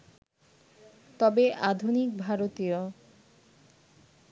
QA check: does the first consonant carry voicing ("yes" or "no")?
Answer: no